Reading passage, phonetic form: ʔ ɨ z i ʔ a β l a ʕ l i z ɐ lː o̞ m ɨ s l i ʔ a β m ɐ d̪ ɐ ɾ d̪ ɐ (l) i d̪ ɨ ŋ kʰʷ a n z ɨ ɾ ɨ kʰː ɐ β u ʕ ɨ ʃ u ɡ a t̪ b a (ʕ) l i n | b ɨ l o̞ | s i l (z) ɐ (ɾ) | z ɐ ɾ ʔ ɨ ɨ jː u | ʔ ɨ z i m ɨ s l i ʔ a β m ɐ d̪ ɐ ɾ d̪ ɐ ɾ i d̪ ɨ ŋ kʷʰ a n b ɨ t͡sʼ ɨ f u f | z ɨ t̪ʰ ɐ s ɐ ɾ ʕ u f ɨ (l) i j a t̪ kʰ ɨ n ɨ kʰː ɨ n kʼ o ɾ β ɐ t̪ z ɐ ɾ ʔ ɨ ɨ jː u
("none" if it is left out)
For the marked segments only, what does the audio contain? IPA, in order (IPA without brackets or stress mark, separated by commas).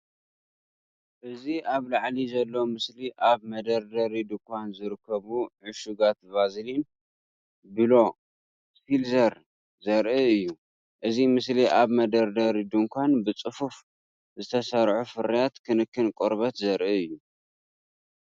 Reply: ɾ, z, z, ɾ, ɾ